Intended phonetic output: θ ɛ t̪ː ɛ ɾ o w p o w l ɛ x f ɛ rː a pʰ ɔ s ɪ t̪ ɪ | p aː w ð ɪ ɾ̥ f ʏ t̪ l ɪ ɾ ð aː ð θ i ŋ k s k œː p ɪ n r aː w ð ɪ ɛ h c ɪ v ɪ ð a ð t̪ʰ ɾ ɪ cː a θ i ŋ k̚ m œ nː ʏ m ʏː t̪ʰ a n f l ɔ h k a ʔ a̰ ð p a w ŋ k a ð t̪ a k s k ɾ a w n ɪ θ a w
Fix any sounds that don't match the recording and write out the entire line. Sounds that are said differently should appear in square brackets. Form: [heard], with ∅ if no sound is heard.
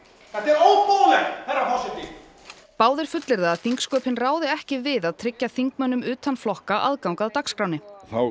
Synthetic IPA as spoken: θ ɛ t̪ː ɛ ɾ o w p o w l ɛ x [θ] ɛ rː a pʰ ɔ s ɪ t̪ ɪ | p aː w ð ɪ ɾ̥ f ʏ t̪ l ɪ ɾ ð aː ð θ i ŋ k s k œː p ɪ n r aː w ð ɪ ɛ h c ɪ v ɪ ð a ð t̪ʰ ɾ ɪ cː a θ i ŋ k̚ m œ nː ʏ m ʏː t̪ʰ a n f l ɔ h k a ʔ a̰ ð [k] a w ŋ k a ð t̪ a k s k ɾ a w n ɪ θ a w